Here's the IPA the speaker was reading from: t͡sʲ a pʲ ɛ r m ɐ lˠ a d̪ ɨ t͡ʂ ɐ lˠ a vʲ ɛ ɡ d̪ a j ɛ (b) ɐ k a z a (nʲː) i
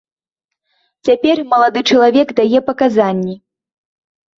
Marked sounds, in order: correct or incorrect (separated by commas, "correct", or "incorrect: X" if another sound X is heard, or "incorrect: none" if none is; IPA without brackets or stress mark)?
incorrect: p, correct